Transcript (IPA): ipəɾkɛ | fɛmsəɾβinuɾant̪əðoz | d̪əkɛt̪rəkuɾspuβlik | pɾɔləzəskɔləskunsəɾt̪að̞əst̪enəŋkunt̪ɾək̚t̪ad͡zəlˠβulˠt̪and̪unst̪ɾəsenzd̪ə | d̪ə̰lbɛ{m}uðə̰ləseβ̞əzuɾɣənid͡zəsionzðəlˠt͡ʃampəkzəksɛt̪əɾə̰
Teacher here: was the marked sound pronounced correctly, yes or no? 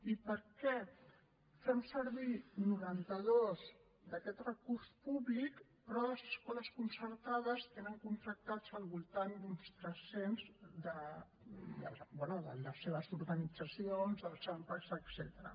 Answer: no